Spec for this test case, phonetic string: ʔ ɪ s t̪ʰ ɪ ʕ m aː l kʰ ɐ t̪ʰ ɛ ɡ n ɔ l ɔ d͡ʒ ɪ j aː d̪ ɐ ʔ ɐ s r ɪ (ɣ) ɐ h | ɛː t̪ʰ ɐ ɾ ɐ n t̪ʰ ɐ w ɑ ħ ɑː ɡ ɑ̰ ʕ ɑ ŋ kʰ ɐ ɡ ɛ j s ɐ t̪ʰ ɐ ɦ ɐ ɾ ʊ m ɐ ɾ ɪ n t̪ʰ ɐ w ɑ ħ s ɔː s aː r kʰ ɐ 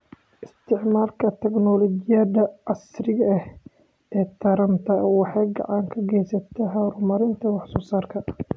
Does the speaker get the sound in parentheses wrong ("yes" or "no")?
no